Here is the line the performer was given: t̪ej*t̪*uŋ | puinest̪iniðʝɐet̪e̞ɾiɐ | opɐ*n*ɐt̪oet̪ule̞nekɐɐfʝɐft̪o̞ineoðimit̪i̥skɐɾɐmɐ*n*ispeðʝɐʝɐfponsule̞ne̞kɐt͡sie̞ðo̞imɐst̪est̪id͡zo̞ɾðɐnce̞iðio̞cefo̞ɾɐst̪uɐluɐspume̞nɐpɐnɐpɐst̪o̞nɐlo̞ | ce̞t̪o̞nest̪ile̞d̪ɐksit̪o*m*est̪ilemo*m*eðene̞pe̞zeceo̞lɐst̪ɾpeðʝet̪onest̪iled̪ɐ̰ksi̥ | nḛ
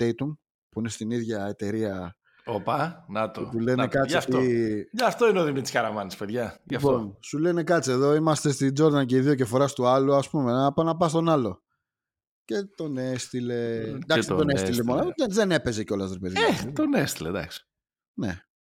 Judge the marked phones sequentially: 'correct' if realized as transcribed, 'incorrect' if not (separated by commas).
correct, correct, correct, incorrect, incorrect